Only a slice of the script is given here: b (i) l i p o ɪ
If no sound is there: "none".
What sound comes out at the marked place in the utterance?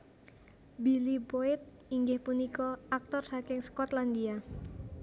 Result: i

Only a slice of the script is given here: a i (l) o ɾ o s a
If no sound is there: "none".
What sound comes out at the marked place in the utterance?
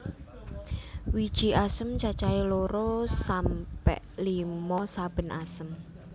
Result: l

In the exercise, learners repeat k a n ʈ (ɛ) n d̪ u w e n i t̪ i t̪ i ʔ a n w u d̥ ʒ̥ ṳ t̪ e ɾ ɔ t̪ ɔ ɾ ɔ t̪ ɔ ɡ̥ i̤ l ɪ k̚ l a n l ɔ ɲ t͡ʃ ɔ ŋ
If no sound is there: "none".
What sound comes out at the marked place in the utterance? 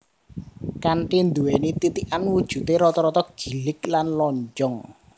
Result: i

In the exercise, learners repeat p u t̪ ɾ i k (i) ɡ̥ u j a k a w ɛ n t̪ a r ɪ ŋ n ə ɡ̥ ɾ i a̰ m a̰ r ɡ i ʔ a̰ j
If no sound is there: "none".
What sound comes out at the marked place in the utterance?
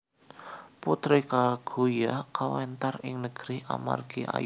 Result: a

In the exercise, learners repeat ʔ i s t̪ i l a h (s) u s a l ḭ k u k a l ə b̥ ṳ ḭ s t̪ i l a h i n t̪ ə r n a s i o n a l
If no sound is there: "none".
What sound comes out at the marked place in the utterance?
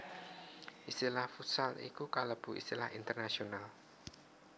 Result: f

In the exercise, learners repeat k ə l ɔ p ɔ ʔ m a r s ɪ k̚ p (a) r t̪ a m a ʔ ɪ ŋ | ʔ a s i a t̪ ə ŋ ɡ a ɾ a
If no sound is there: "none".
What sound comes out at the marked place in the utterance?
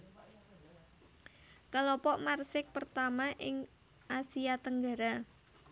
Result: ə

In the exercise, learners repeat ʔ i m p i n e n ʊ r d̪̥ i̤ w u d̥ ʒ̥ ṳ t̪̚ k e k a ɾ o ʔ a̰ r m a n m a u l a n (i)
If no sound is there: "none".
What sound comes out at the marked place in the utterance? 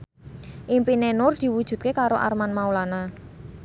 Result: a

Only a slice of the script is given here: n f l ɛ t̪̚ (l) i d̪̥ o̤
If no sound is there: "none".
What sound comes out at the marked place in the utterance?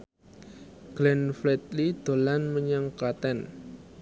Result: l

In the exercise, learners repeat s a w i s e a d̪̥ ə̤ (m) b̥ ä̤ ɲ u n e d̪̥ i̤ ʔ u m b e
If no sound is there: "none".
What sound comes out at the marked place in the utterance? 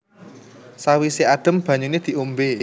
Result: m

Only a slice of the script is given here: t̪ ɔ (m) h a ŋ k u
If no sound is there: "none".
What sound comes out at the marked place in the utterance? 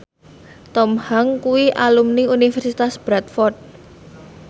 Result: m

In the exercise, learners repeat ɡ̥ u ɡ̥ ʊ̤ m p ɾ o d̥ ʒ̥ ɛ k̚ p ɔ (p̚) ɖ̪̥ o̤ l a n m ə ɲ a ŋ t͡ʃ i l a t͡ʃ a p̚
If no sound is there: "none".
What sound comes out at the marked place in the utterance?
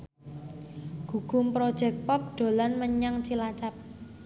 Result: p̚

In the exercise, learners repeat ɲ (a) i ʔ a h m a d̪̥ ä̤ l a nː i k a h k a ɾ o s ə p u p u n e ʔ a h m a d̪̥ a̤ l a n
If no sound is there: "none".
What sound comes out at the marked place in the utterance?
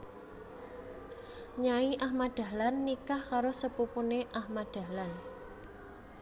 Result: a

